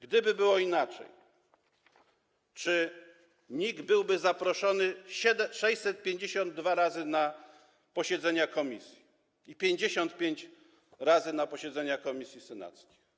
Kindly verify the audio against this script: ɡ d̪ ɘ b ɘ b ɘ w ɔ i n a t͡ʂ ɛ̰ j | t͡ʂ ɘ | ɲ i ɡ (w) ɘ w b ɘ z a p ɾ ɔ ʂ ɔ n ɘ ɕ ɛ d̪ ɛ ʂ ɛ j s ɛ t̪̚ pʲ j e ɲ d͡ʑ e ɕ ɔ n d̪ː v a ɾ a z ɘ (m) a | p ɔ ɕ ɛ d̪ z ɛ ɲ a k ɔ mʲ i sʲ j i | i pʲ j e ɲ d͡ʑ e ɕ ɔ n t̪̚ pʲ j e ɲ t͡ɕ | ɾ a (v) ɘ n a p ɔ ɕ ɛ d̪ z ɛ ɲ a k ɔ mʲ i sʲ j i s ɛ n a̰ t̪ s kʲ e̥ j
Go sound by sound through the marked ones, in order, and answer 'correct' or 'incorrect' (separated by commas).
incorrect, incorrect, incorrect